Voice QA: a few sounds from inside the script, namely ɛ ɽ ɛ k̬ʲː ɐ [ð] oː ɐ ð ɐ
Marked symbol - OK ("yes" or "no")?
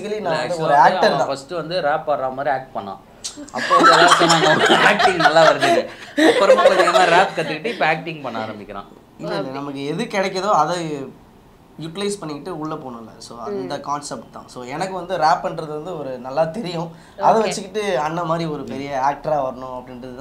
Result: yes